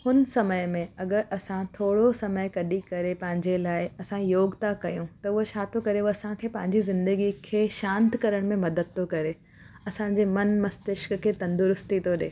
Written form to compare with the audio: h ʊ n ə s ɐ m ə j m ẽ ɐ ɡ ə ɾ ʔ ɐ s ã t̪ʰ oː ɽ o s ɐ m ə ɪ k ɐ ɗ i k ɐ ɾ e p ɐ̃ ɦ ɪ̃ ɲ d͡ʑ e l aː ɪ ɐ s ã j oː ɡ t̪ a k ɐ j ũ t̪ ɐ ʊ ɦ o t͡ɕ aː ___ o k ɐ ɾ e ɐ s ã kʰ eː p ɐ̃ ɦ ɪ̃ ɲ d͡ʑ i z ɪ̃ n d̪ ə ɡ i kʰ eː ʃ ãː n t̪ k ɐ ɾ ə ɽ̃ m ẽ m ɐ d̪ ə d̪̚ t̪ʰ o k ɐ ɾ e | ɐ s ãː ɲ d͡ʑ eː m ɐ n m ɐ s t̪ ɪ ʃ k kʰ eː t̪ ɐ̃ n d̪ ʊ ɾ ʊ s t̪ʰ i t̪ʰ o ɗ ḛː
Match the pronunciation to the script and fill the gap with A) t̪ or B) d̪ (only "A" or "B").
A